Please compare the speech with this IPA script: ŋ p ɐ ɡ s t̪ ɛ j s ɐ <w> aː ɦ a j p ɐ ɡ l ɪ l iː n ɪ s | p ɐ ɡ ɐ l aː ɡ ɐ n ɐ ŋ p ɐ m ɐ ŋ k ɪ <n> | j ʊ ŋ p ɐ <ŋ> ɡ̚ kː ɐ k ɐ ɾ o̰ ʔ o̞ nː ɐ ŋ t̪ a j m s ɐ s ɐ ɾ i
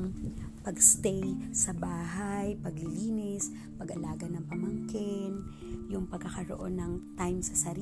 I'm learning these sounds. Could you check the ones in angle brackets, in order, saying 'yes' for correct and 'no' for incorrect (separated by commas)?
no, yes, no